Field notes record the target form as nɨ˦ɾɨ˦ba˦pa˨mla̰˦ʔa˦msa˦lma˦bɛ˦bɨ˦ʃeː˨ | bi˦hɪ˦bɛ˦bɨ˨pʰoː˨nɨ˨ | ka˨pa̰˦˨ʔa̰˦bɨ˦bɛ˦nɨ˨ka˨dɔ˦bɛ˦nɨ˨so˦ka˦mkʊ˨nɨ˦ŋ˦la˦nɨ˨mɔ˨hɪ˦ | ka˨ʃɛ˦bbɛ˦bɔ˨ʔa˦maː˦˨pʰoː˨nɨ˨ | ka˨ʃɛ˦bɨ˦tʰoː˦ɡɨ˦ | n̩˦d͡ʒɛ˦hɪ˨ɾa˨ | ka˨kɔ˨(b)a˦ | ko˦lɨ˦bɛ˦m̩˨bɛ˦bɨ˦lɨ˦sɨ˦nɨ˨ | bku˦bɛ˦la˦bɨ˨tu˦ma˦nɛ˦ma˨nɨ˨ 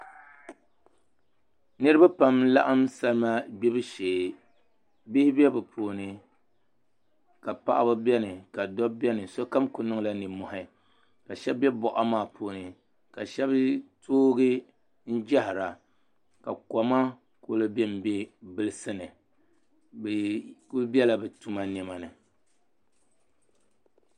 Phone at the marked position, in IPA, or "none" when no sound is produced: m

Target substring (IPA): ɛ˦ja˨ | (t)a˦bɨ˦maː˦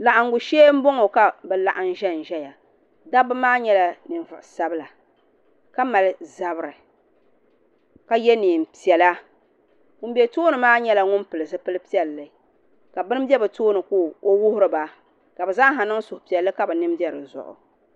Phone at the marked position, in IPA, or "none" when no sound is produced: d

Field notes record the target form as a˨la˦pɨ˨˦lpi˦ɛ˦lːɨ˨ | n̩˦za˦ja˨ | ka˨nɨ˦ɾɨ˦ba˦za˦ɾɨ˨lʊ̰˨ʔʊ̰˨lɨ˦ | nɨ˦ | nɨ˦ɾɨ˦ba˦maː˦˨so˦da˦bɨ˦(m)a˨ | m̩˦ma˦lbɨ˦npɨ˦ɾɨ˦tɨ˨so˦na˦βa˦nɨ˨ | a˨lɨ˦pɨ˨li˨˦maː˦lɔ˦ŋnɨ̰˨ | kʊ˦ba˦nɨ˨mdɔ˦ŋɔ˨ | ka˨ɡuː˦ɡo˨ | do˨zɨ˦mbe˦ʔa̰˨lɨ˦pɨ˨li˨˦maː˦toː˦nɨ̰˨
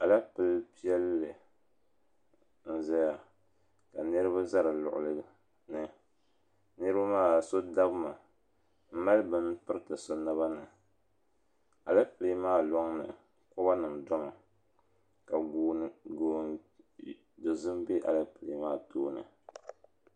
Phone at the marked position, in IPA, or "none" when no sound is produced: m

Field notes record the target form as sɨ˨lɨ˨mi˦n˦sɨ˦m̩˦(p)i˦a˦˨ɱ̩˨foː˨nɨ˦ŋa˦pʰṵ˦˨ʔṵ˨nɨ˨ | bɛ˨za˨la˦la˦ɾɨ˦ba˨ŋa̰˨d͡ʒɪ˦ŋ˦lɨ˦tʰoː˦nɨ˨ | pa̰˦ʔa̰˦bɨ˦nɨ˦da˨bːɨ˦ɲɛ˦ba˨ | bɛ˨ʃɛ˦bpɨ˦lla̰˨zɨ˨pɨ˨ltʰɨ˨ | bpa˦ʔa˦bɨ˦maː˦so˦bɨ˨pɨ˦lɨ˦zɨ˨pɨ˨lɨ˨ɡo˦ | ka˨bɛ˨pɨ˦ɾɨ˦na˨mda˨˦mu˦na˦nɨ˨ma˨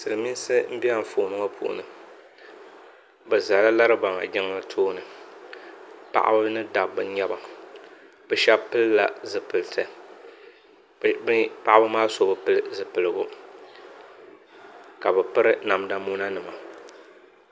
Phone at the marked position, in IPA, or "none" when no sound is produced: b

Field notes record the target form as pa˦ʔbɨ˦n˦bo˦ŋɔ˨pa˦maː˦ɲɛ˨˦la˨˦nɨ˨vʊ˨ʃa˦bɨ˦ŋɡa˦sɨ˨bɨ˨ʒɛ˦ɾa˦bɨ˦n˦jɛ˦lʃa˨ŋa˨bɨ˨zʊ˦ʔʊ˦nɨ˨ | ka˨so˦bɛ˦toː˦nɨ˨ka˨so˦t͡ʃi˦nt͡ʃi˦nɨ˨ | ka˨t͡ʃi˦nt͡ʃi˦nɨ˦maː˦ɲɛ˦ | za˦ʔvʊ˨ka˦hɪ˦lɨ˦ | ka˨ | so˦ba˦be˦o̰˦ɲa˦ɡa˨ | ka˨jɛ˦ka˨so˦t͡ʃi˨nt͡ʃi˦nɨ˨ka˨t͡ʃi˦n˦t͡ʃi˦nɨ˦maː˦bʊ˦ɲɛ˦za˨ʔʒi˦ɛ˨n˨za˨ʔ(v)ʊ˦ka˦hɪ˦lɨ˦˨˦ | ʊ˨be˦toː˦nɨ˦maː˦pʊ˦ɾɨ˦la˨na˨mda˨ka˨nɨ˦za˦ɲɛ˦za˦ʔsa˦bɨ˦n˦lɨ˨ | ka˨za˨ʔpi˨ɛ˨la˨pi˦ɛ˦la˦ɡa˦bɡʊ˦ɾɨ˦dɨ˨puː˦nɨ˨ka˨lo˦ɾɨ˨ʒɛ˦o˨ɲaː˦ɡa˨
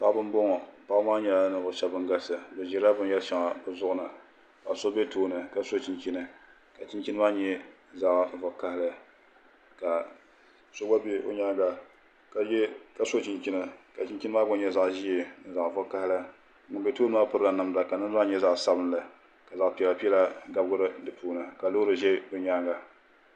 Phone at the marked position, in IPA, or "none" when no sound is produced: v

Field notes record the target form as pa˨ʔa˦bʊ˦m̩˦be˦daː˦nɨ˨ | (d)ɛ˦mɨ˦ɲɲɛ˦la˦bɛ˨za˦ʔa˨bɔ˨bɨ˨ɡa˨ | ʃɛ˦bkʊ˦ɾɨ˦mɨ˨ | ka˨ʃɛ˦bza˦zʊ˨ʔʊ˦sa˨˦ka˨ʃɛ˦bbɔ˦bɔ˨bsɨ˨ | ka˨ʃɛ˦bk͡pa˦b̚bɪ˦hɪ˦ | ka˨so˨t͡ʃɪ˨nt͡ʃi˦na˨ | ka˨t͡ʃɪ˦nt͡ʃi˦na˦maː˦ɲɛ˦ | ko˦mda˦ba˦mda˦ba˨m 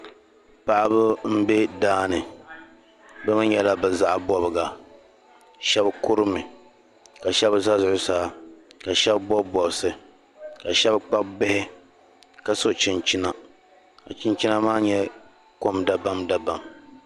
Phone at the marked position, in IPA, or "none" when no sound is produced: b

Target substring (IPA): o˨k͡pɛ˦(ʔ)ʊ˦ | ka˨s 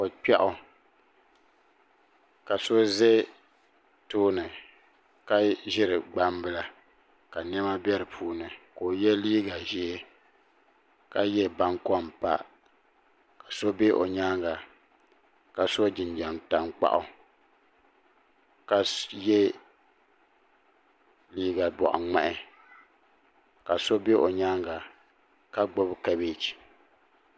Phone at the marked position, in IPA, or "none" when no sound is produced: ʔ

